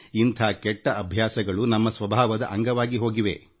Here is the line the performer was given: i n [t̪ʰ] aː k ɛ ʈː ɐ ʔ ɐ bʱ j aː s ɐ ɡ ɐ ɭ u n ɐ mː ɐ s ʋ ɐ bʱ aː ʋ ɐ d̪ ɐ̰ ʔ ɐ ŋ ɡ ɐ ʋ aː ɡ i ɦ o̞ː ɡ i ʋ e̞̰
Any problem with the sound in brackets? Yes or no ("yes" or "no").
no